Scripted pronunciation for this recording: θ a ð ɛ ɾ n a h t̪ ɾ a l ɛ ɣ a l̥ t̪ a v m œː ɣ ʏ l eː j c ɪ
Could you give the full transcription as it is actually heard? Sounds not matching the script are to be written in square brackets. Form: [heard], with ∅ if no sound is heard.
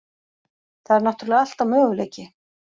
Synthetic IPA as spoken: θ a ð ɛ ɾ n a h t̪ ɾ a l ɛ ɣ a l̥ t̪ a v m œː ɣ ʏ l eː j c ɪ